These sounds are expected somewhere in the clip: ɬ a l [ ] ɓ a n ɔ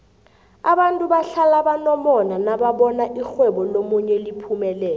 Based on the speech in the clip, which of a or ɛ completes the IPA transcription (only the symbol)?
a